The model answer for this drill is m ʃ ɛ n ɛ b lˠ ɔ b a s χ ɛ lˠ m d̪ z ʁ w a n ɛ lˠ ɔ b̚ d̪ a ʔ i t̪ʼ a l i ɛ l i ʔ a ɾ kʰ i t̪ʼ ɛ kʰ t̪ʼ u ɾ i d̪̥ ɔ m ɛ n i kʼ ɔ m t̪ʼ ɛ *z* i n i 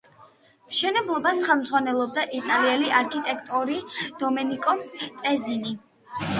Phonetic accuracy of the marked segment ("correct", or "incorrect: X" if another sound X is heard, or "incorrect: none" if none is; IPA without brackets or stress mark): correct